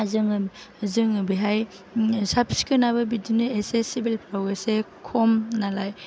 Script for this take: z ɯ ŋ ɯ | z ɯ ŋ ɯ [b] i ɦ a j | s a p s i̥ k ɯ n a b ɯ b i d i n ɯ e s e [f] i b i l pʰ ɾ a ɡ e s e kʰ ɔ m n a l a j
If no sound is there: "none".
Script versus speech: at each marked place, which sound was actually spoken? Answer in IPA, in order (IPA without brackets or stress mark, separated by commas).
b, s